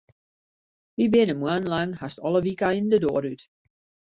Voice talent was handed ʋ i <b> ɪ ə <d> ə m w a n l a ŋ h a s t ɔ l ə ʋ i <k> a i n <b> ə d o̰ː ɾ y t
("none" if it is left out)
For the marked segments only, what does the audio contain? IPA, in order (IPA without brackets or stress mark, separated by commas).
b, n, k, d